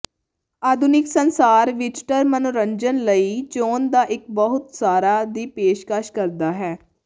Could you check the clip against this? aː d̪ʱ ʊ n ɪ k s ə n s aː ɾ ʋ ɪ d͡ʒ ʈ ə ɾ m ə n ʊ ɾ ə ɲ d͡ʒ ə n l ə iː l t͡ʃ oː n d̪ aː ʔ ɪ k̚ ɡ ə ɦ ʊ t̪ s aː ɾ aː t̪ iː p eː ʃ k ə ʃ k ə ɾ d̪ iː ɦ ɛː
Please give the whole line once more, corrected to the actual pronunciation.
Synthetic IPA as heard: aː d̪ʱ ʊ n ɪ k s ə n s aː ɾ ʋ ɪ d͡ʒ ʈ ə ɾ m ə n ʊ ɾ ə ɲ d͡ʒ ə n l ə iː t͡ʃ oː n d̪ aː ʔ ɪ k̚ b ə ɦ ʊ t̪ s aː ɾ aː d̪ iː p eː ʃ k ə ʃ k ə ɾ d̪ aː ɦ ɛː